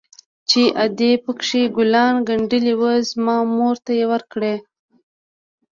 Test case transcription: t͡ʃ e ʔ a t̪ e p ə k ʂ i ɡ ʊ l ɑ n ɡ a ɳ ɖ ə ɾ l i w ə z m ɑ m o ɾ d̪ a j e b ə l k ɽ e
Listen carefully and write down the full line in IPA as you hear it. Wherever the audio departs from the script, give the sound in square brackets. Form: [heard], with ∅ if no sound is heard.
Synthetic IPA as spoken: t͡ʃ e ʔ a [d̪] e p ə k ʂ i ɡ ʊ l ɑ n ɡ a ɳ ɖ ə [∅] l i w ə z m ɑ m o ɾ [t̪] a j e [w] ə [ɾ] k ɽ e